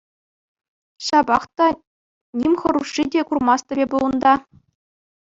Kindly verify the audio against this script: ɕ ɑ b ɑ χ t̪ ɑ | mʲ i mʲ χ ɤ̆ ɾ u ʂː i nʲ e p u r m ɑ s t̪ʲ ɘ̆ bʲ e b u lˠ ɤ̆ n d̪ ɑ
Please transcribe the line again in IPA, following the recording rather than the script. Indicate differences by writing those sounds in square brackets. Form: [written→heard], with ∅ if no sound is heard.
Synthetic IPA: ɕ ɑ b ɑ χ t̪ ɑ | [mʲ→nʲ] i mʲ χ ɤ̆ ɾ u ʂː i [nʲ→dʲ] e [p→k] u r m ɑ s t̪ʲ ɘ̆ bʲ e b u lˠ ɤ̆ n d̪ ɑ